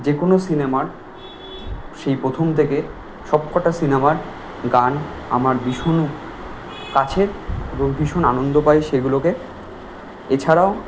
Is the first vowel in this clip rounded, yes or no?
no